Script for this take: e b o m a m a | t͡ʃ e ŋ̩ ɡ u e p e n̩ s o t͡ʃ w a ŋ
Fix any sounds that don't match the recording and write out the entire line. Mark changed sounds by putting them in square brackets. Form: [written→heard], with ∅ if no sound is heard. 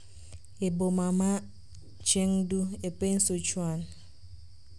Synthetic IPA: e b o m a m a | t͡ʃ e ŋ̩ [ɡ→d] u e p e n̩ s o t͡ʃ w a [ŋ→n]